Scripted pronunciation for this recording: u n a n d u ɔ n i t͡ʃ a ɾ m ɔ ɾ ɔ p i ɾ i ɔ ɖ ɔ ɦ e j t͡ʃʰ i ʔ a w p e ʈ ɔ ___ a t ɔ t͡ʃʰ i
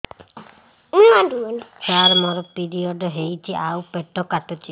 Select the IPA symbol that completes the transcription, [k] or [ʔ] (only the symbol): k